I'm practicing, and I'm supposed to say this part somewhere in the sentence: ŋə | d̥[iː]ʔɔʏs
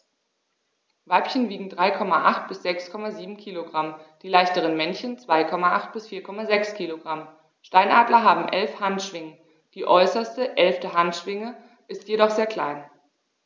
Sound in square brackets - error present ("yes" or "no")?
no